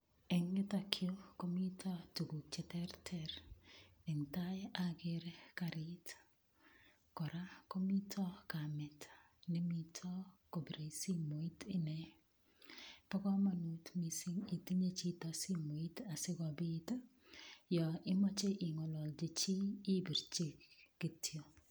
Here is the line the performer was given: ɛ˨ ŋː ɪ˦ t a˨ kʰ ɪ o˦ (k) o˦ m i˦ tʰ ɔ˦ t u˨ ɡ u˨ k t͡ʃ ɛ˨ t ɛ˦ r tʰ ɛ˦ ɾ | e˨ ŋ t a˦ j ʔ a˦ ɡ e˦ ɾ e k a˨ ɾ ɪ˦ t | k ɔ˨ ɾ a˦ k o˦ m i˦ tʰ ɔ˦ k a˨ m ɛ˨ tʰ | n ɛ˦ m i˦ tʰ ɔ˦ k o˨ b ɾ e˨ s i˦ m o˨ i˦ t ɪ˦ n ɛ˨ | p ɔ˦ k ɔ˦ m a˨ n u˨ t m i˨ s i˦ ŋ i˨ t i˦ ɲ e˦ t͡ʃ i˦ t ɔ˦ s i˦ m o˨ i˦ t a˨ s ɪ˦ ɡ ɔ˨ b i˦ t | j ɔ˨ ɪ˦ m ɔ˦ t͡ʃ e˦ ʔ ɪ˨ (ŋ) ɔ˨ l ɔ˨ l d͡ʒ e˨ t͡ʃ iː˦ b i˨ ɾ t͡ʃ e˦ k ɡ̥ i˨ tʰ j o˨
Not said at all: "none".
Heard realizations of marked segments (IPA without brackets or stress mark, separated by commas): k, ŋ